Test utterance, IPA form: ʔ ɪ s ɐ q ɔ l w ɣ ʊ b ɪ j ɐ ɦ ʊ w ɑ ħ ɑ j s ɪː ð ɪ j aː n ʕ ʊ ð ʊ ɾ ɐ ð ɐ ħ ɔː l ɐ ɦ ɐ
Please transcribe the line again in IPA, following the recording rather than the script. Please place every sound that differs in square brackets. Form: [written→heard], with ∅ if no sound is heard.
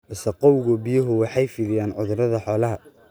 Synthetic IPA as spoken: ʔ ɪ s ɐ q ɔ [l→∅] w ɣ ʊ b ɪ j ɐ ɦ ʊ w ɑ ħ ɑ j [s→f] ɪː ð ɪ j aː n ʕ ʊ ð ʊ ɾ ɐ ð ɐ ħ ɔː l ɐ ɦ ɐ